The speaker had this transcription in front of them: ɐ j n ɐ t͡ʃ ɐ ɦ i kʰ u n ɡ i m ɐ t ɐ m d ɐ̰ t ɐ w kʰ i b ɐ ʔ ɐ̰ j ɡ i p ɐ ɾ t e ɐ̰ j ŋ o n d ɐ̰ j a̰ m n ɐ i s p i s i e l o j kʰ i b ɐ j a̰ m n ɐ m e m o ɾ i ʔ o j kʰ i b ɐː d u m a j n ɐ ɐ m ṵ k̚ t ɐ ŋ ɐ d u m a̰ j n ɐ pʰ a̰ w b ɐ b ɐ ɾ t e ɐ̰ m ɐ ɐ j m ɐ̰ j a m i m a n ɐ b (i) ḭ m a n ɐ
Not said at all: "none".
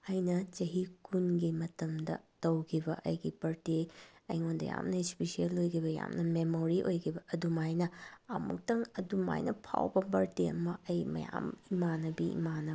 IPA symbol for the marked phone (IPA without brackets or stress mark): i